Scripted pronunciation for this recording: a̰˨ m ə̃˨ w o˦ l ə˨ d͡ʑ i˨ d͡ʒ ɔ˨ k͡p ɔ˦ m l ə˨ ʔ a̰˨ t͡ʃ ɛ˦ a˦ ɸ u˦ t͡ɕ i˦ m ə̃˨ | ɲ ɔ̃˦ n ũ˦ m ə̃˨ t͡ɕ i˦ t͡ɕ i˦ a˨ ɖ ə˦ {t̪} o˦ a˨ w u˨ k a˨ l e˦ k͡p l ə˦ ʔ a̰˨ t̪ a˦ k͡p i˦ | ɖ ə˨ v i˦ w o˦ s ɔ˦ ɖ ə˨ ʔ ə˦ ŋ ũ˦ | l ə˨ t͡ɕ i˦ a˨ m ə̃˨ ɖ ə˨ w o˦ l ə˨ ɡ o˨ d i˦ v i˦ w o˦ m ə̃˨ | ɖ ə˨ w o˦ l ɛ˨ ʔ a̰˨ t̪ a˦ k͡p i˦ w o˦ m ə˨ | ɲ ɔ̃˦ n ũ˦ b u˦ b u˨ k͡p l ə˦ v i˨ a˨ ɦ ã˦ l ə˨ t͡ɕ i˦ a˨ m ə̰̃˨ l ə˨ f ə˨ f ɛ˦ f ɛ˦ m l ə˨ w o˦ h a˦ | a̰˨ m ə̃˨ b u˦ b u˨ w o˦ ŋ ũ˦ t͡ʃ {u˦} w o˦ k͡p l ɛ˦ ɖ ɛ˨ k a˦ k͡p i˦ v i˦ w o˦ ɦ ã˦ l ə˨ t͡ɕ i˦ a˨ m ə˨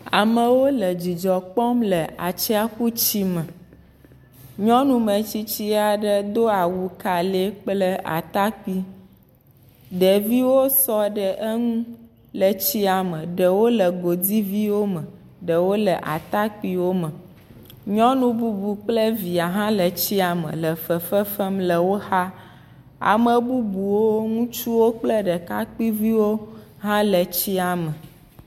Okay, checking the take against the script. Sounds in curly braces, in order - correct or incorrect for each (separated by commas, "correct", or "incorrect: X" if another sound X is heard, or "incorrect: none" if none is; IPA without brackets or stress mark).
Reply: incorrect: d̪, correct